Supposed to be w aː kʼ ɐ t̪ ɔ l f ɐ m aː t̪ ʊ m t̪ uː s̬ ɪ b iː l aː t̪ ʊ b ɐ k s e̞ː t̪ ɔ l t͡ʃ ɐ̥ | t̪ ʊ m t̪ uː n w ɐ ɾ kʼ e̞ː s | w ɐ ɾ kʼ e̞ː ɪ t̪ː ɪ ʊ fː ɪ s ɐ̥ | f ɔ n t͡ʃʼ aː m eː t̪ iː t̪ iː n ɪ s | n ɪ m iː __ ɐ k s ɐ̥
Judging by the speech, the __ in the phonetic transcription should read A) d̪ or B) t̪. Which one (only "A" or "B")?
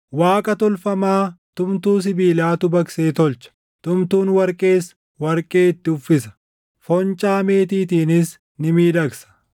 A